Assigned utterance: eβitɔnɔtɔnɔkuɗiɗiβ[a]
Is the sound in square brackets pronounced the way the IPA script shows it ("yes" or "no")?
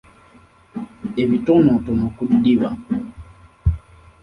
yes